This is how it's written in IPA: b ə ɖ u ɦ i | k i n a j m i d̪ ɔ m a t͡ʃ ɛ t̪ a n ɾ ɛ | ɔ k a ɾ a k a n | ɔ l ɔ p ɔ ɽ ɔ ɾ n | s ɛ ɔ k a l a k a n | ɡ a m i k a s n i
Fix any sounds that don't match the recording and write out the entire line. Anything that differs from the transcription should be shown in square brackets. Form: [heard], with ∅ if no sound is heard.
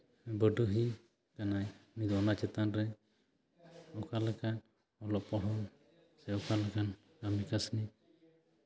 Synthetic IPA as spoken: b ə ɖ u ɦ i | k [a] n a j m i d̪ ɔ [n] a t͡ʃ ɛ t̪ a n ɾ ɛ | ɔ k a [l] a k a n | ɔ l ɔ p ɔ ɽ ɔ [∅] n | s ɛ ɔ k a l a k a n | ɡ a m i k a s n i